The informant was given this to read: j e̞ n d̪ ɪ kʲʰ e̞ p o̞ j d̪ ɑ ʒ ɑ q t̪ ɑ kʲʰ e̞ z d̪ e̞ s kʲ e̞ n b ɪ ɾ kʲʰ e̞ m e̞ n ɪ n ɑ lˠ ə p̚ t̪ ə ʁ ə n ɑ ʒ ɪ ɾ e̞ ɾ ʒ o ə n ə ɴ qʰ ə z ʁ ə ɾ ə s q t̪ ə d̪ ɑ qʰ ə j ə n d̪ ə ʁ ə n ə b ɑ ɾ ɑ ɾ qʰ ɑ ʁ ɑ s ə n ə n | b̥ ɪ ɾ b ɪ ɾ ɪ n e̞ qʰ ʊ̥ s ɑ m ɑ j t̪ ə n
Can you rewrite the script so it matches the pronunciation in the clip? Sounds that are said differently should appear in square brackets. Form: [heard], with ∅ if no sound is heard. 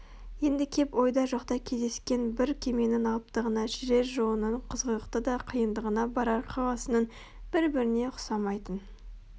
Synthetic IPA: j e̞ n d̪ ɪ kʲʰ e̞ p o̞ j d̪ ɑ ʒ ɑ q t̪ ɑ kʲʰ e̞ z d̪ e̞ s kʲ e̞ n b ɪ ɾ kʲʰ e̞ m e̞ n ɪ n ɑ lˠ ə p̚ t̪ ə ʁ ə n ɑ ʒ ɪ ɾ e̞ ɾ ʒ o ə n ə ɴ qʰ ə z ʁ ə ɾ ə [∅] q t̪ ə d̪ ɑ qʰ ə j ə n d̪ ə ʁ ə n [ɑ] b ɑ ɾ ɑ ɾ qʰ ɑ ʁ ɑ s ə n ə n | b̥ ɪ ɾ b ɪ ɾ ɪ n e̞ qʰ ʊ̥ s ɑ m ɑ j t̪ ə n

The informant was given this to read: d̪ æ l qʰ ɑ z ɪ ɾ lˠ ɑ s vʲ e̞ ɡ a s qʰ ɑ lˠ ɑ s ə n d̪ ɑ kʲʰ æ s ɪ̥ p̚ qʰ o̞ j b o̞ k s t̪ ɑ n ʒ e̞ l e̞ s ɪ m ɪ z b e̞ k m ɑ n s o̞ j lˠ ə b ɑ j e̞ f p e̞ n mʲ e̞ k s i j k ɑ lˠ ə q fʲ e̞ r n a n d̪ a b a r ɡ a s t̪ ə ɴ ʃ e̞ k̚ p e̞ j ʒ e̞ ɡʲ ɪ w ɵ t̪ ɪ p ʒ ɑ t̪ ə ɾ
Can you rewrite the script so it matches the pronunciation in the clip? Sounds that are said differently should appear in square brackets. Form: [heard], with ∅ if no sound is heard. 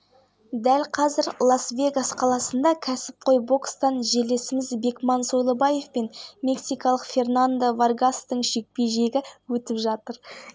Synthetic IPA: d̪ æ l qʰ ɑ z ɪ ɾ lˠ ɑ s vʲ e̞ ɡ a s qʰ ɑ lˠ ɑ s ə n d̪ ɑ kʲʰ æ s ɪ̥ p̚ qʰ o̞ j b o̞ k s t̪ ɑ n ʒ e̞ l e̞ s ɪ m ɪ z b e̞ k m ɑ n s o̞ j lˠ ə b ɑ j e̞ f p e̞ n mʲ e̞ k s i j k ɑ lˠ ə q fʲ e̞ r n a n d̪ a [v] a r ɡ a s t̪ ə ɴ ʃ e̞ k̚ p e̞ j ʒ e̞ ɡʲ ɪ w ɵ t̪ ɪ p ʒ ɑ t̪ ə ɾ

